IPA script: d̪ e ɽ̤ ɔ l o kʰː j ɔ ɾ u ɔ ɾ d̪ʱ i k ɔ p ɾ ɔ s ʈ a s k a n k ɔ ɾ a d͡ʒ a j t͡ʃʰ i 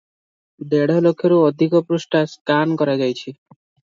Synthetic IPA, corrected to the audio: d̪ e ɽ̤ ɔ l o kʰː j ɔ ɾ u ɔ d̪ʱ i k ɔ p ɾ u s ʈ a s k a n k ɔ ɾ a d͡ʒ a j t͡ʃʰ i